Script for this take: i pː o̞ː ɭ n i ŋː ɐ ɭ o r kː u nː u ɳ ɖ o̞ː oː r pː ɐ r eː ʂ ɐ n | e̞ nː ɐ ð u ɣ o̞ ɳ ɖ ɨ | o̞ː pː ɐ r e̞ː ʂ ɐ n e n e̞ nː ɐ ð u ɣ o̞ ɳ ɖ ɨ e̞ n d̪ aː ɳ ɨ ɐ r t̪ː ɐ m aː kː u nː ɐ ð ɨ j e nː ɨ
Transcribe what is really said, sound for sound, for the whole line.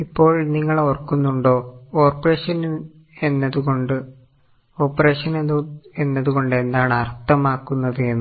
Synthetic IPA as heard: i pː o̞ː ɭ n i ŋː ɐ ɭ o r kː u nː u ɳ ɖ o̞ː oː r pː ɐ r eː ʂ ɐ n | e̞ nː ɐ ð u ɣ o̞ ɳ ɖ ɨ | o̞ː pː ɐ r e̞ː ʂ ɐ n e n e̞ nː ɐ ð u ɣ o̞ ɳ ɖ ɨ e̞ n d̪ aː ɳ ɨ ɐ r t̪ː ɐ m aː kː u nː ɐ ð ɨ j e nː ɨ